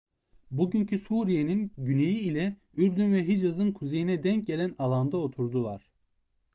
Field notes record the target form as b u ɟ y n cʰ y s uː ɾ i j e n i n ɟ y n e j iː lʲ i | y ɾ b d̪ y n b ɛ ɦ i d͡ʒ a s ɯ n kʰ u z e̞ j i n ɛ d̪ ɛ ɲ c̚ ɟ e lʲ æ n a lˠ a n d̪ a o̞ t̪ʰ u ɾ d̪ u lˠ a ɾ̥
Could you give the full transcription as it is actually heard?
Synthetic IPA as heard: b u ɟ y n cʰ y s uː ɾ i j e n i n ɟ y n e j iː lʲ ɛ | y ɾ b d̪ y n v ɛ ɦ i d͡ʒ a z ɯ n kʰ u z e̞ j i n ɛ d̪ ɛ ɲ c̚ ɟ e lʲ æ n a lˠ a n d̪ a o̞ t̪ʰ u ɾ d̪ u lˠ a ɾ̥